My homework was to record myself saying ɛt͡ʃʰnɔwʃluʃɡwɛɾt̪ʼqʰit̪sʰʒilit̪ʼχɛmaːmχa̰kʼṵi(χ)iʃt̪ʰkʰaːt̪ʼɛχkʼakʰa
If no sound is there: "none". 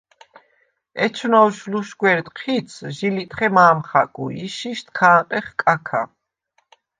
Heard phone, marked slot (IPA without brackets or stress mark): ʃ